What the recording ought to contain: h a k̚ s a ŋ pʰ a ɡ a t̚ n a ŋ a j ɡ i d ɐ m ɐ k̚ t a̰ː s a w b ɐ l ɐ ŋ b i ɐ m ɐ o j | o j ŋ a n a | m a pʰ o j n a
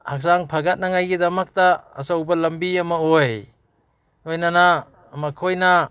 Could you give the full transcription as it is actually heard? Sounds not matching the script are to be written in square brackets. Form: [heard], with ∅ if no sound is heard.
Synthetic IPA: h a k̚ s a ŋ pʰ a ɡ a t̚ n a ŋ a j ɡ i d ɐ m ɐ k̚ t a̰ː s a w b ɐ l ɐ [m] b i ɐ m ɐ o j | o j [n] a n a | m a [kʰ] o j n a